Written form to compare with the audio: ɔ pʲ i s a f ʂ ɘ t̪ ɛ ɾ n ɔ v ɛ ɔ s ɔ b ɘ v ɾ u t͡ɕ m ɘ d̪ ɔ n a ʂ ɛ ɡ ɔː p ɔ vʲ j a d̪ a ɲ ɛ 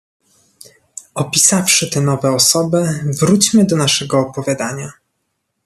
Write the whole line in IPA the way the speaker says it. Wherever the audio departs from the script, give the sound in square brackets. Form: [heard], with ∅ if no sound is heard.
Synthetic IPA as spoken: ɔ pʲ i s a f ʂ ɘ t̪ ɛ [∅] n ɔ v ɛ ɔ s ɔ b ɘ v ɾ u t͡ɕ m ɘ d̪ ɔ n a ʂ ɛ ɡ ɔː p ɔ vʲ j a d̪ a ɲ [a]